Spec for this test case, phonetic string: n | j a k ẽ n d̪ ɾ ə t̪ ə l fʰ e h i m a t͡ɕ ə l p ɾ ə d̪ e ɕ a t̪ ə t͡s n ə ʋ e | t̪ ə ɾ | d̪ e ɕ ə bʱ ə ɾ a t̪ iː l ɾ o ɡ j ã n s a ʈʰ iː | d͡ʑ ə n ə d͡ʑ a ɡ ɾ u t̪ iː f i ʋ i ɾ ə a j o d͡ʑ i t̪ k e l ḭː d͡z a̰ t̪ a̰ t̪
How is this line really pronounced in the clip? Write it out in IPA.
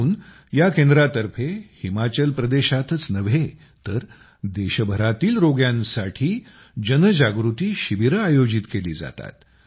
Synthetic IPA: n | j a k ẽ n d̪ ɾ a t̪ ə ɾ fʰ e h i m a t͡ɕ ə l p ɾ ə d̪ e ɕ a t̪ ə t͡s n ə ʋ e | t̪ ə ɾ | d̪ e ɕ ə bʱ ə ɾ a t̪ iː l ɾ o ɡ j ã n s a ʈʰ iː | d͡ʑ ə n ə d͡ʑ a ɡ ɾ u t̪ iː ɕ i ʋ i ɾ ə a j o d͡ʑ i t̪ k e l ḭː d͡z a̰ t̪ a̰ t̪